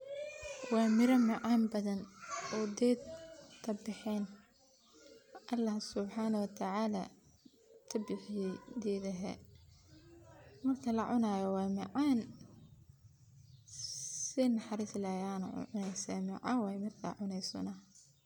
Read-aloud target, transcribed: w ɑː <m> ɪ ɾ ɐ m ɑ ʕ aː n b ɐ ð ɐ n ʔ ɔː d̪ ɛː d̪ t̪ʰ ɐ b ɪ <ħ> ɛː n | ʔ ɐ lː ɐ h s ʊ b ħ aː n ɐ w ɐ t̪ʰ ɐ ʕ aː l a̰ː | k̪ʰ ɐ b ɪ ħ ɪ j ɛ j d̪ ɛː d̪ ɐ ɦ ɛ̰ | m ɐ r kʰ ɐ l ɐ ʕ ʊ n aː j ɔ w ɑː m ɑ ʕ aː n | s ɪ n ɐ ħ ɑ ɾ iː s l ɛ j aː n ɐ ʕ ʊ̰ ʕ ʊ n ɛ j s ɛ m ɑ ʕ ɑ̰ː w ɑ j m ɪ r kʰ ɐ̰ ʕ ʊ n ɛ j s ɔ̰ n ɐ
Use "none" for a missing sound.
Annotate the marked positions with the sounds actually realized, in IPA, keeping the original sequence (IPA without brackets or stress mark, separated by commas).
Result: m, ħ